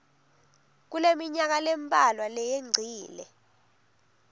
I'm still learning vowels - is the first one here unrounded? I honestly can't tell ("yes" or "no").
no